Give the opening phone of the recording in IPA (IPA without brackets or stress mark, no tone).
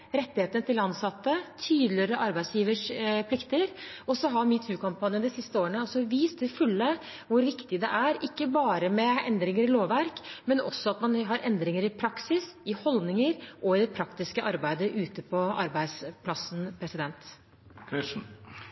ɾ